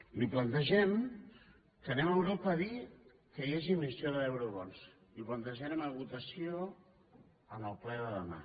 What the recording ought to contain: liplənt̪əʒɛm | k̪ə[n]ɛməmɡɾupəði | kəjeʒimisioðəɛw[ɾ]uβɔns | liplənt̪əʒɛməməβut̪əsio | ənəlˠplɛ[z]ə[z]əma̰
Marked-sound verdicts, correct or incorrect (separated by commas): correct, correct, incorrect, incorrect